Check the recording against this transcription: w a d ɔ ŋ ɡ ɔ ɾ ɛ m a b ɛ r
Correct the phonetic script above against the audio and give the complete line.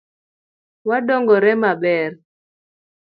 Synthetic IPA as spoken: w a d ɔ ŋ ɡ ɔ ɾ ɛ m a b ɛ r